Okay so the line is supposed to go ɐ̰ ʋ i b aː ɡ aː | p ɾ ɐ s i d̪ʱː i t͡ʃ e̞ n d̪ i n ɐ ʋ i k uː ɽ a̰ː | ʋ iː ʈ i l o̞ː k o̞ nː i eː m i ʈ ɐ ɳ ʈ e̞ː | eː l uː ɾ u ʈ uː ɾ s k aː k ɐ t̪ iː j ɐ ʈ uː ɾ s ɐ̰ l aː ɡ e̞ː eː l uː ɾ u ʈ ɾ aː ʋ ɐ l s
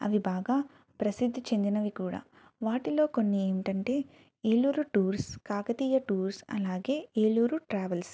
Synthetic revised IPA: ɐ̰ ʋ i b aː ɡ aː | p ɾ ɐ s i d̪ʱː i t͡ʃ e̞ n d̪ i n ɐ ʋ i k uː ɽ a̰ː | ʋ aː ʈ i l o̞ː k o̞ nː i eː m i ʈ ɐ ɳ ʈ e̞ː | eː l uː ɾ u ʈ uː ɾ s k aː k ɐ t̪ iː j ɐ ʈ uː ɾ s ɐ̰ l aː ɡ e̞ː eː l uː ɾ u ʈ ɾ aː ʋ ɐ l s